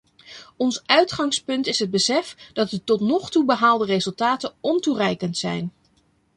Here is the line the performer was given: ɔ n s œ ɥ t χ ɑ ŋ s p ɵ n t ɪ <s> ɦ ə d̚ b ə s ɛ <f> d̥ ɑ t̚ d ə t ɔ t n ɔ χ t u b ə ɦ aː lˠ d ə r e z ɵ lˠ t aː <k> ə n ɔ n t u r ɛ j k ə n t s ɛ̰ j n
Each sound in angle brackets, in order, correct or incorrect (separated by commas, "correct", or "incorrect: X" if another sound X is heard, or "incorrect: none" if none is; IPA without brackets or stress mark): correct, correct, incorrect: t